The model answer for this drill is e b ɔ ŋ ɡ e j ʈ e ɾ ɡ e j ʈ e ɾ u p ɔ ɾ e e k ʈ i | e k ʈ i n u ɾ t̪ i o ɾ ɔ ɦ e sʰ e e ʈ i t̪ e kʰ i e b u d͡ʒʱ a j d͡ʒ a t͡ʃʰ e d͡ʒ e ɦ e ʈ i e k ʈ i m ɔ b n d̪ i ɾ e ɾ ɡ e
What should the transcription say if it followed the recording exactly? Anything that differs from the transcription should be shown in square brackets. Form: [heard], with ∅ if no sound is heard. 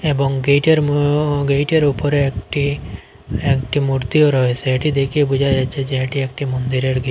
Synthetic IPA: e b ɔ ŋ ɡ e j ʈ e ɾ ɡ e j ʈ e ɾ u p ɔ ɾ e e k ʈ i | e k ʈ i [m] u ɾ t̪ i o ɾ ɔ ɦ e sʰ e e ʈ i [d̪] e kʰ i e b u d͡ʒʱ a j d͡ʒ a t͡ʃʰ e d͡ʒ e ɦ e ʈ i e k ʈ i m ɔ [∅] n d̪ i ɾ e ɾ ɡ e